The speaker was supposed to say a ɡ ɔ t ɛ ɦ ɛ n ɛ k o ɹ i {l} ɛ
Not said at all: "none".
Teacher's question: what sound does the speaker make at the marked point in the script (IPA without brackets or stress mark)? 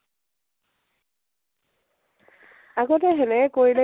l